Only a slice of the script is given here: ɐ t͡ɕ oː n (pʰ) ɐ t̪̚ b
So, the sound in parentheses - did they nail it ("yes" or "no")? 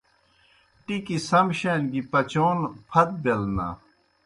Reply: yes